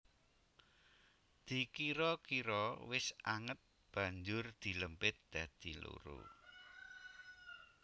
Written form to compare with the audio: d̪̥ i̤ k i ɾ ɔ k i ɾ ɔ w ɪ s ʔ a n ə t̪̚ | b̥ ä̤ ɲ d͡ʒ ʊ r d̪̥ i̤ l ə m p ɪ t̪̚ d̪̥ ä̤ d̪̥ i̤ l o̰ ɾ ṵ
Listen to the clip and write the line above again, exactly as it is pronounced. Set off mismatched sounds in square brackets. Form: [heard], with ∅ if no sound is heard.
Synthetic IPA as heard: d̪̥ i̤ k i ɾ ɔ k i ɾ ɔ w ɪ s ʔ a [ŋ] ə t̪̚ | b̥ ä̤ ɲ d͡ʒ ʊ r d̪̥ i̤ l ə m p ɪ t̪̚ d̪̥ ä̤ d̪̥ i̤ l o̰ ɾ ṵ